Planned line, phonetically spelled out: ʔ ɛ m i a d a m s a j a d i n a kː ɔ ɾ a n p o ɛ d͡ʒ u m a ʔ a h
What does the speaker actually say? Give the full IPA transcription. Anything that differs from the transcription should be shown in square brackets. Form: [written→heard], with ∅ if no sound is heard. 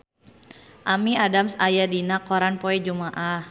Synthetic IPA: ʔ [ɛ→a] m i a d a m s a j a d i n a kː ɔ ɾ a n p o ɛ d͡ʒ u m a ʔ a h